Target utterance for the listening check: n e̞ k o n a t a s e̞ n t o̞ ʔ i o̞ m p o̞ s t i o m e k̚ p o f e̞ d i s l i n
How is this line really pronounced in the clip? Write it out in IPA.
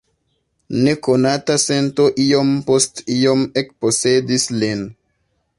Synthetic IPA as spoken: n e̞ k o n a t a s e̞ n t o̞ ʔ i o̞ m p o̞ s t i o m e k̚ p o s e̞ d i s l i n